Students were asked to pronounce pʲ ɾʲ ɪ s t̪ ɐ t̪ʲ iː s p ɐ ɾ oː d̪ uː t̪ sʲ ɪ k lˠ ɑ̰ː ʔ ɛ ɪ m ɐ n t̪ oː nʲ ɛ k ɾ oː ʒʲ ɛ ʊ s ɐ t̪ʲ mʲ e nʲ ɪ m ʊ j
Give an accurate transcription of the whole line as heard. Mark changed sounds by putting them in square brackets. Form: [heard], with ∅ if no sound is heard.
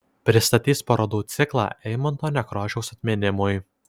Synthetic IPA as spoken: pʲ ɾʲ ɪ s t̪ ɐ t̪ʲ iː s p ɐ ɾ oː d̪ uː t̪ sʲ ɪ k lˠ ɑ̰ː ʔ ɛ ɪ m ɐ n t̪ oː nʲ ɛ k ɾ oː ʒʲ ɛ ʊ s ɐ t̪ʲ mʲ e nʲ ɪ m ʊ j